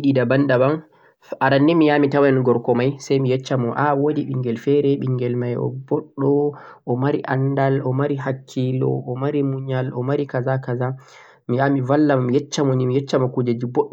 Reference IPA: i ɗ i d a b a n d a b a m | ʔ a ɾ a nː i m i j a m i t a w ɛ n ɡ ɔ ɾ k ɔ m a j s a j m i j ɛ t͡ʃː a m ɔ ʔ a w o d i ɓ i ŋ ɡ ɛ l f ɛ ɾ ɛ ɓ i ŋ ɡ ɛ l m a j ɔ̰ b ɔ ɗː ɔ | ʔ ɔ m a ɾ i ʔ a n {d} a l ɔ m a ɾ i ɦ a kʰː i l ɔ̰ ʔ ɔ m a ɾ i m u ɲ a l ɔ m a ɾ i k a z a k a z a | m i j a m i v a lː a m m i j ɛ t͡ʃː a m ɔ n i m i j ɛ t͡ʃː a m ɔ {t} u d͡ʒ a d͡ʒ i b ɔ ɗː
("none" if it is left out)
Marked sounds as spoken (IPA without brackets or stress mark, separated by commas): d, k